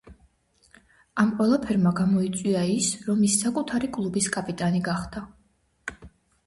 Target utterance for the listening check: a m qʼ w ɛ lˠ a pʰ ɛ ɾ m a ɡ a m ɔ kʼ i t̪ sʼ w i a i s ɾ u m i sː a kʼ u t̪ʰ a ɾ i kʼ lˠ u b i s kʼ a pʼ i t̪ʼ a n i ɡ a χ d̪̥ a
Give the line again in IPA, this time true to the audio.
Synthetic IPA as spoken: a m qʼ w ɛ lˠ a pʰ ɛ ɾ m a ɡ a m ɔ i t̪ sʼ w i a i s ɾ ɔ m i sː a kʼ u t̪ʰ a ɾ i kʼ lˠ u b i s kʼ a pʼ i t̪ʼ a n i ɡ a χ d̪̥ a